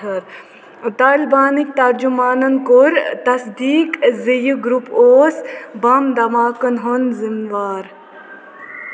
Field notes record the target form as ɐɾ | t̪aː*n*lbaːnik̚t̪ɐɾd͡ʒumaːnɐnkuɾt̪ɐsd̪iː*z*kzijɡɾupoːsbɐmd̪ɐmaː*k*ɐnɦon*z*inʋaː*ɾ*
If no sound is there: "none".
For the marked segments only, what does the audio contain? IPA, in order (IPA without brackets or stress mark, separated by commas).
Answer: none, none, k, z, ɾ